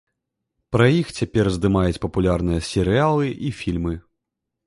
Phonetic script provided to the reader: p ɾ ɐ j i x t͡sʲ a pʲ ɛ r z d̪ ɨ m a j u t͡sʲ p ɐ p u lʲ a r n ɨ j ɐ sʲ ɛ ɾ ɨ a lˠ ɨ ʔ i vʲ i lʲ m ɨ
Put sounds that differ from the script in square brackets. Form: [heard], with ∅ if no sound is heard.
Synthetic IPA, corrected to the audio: p ɾ ɐ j i x t͡sʲ a pʲ ɛ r z d̪ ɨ m a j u t͡sʲ p ɐ p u lʲ a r n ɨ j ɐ sʲ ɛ ɾ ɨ a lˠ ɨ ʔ i [fʲ] i lʲ m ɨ